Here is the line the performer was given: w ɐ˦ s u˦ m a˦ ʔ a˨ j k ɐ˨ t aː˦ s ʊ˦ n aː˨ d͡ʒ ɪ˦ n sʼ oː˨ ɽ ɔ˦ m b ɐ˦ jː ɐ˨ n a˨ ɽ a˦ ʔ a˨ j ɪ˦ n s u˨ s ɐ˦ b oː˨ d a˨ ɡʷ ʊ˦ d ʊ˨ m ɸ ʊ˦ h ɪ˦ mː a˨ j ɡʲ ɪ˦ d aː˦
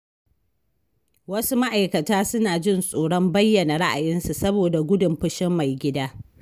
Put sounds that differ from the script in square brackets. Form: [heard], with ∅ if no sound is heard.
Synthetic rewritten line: w ɐ˦ s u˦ m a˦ ʔ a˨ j k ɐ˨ t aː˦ s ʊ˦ n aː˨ d͡ʒ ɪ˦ n sʼ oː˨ ɽ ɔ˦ m b ɐ˦ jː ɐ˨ n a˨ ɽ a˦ ʔ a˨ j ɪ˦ n s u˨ s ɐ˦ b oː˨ d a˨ ɡʷ ʊ˦ d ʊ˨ m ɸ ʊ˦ [ʃ] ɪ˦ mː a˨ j ɡʲ ɪ˦ d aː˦